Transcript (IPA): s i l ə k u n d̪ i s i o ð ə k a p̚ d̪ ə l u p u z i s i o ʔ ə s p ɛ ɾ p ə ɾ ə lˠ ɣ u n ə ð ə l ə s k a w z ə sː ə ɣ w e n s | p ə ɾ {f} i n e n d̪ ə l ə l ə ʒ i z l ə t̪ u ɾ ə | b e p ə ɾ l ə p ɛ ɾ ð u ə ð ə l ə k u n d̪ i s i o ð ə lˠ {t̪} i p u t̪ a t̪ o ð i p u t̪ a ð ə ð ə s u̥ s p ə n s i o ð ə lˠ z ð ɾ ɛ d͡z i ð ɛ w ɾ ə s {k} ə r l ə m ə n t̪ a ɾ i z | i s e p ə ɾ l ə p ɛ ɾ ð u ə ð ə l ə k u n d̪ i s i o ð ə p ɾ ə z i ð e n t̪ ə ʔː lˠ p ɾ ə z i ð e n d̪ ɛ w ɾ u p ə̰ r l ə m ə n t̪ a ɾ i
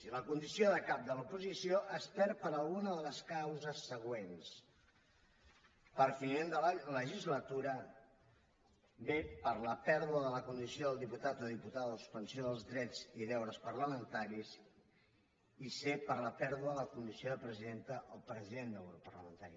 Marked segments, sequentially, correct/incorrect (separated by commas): correct, incorrect, incorrect